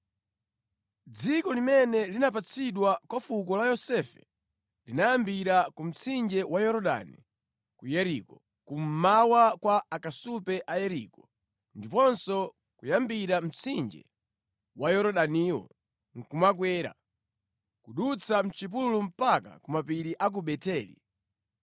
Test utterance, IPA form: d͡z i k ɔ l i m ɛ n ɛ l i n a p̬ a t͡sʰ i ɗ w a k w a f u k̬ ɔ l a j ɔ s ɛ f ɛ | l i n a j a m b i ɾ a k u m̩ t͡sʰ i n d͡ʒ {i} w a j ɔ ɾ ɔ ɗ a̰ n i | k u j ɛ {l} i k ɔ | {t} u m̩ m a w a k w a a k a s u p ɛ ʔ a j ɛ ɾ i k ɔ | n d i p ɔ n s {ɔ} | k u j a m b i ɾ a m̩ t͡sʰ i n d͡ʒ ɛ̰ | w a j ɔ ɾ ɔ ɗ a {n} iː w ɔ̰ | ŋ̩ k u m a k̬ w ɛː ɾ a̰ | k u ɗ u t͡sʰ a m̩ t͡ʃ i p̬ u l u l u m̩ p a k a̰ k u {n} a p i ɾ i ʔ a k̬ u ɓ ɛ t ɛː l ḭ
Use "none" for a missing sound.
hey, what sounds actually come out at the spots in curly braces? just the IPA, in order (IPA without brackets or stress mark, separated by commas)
ɛ, ɾ, k, ɔ, n, m